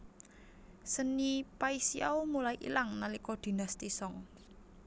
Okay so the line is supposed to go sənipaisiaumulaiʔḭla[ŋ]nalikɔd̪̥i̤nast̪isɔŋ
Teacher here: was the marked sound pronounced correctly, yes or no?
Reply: yes